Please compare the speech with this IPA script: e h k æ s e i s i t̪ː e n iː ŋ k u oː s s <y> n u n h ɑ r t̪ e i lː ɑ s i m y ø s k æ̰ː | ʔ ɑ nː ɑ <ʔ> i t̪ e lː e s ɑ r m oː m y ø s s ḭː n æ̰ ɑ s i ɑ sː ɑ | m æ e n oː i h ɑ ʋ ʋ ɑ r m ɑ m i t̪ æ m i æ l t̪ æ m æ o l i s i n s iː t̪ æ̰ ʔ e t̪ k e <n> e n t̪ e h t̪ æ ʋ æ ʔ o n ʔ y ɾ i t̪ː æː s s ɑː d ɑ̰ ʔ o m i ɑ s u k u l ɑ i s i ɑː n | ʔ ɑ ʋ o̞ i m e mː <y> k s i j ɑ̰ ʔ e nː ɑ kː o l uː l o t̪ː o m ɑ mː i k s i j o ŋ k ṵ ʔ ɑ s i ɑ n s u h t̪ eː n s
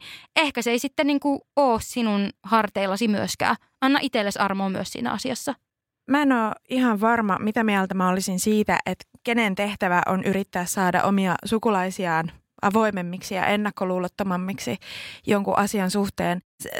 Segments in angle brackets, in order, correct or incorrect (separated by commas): incorrect, correct, correct, incorrect